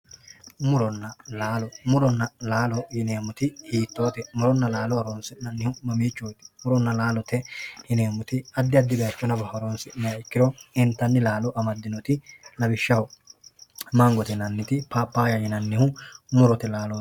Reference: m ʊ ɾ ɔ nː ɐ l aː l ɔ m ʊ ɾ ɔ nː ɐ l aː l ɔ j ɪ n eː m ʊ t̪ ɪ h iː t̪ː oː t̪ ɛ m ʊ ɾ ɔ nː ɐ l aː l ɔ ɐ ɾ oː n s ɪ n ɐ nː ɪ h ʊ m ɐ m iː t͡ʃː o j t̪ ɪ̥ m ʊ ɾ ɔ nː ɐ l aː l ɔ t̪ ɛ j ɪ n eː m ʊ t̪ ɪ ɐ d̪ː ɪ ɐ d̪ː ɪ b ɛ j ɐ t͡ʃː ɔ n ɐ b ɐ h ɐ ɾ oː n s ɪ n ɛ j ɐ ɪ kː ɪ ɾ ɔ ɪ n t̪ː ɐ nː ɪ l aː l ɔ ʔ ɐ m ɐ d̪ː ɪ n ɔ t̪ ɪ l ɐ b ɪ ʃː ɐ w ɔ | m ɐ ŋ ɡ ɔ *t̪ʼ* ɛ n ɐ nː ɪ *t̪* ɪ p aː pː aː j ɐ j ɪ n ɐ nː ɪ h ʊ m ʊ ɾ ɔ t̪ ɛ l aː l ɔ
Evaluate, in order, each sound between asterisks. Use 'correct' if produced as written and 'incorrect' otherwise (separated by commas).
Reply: incorrect, correct